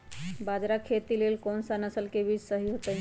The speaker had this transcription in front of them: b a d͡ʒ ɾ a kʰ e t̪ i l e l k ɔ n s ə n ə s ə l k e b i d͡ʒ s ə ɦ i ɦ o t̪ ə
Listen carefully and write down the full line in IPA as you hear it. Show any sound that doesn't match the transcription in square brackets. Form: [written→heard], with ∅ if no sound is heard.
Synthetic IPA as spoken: b a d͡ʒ ɾ a kʰ e t̪ i l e l k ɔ n s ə n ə s ə l k e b i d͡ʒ s ə ɦ i ɦ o t̪ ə

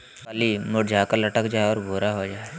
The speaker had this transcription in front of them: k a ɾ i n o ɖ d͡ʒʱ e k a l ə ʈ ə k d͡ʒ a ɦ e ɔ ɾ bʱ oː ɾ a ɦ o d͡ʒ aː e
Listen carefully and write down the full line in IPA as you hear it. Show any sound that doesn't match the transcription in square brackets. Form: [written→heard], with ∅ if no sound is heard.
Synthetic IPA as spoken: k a [ɾ→l] i [n→m] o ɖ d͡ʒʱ [e→a] k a l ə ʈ ə k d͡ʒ a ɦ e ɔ ɾ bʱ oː ɾ a ɦ o d͡ʒ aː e

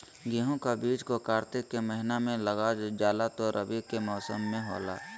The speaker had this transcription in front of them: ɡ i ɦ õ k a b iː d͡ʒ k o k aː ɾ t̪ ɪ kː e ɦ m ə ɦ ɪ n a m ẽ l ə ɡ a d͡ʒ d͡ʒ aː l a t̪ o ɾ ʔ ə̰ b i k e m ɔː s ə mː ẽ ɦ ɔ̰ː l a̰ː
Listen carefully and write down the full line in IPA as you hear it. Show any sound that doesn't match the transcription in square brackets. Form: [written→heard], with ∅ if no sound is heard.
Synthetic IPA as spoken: ɡ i ɦ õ k a b iː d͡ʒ k o k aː ɾ t̪ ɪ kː e [ɦ→∅] m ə ɦ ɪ n a m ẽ l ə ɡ a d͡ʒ d͡ʒ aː l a t̪ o ɾ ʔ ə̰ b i k e m ɔː s ə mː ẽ ɦ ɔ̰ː l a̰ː

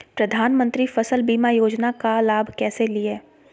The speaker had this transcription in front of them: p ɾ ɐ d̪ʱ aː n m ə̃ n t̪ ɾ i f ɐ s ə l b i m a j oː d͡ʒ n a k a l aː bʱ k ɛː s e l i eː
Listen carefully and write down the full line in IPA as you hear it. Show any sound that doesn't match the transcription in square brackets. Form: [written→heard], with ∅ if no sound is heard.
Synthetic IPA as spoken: p ɾ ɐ d̪ʱ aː n m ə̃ n t̪ ɾ i f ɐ s ə l b [i→iː] m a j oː d͡ʒ n a k a l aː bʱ k ɛː s e l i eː

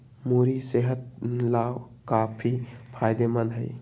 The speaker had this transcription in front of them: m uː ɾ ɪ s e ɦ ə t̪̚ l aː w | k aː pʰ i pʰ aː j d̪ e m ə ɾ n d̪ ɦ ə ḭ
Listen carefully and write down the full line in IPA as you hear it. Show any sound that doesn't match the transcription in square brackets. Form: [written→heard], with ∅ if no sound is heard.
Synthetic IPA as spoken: m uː ɾ [ɪ→i] s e ɦ ə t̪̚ l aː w | k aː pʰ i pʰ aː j d̪ e m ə [ɾ→∅] n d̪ ɦ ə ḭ

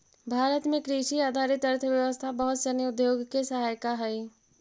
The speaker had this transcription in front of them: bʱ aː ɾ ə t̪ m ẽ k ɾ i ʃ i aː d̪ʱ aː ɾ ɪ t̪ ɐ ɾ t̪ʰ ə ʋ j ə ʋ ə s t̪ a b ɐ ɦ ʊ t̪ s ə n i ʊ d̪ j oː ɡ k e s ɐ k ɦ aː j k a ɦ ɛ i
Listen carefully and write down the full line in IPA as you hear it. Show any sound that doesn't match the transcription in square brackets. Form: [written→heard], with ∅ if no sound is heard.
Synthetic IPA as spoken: bʱ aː ɾ ə t̪ m ẽ k ɾ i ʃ i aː d̪ʱ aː ɾ ɪ t̪ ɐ ɾ t̪ʰ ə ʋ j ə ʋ ə s [t̪→t̪ʰ] a b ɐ ɦ ʊ t̪ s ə n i ʊ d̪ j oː ɡ k e s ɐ [k→∅] ɦ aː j k a ɦ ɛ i

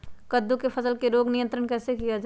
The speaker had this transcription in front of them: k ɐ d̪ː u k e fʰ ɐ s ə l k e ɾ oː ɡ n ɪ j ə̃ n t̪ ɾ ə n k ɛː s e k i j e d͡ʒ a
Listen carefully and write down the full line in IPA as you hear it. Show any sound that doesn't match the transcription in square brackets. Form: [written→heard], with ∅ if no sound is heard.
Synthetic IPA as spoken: k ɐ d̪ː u k e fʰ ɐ s ə l k e ɾ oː ɡ n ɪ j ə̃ n t̪ ɾ ə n k ɛː s e k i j [e→a] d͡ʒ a

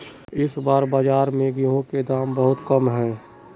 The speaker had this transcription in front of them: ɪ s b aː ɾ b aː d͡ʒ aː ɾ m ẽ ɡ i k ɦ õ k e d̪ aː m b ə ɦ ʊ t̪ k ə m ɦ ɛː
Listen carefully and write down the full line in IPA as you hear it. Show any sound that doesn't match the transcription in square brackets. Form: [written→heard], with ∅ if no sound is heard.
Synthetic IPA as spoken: ɪ s b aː ɾ b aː d͡ʒ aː ɾ m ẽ ɡ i [k→∅] ɦ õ k e d̪ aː m b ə ɦ ʊ t̪ k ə m ɦ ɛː

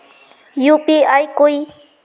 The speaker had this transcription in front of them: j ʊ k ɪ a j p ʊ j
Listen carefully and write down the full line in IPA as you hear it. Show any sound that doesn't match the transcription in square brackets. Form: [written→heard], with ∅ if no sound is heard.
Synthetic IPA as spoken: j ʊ [k→p] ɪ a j [p→k] ʊ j

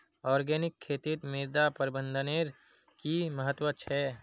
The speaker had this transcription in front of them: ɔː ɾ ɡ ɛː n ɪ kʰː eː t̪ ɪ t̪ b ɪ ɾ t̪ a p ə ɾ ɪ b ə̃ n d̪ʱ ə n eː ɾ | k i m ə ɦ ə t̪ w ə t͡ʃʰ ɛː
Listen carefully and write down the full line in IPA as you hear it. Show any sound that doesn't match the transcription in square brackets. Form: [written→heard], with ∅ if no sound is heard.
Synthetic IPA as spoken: ɔː ɾ ɡ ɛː n ɪ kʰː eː t̪ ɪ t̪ [b→m] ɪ ɾ [t̪→d̪] a p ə ɾ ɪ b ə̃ n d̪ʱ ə n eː ɾ | k i m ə ɦ ə t̪ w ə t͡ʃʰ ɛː

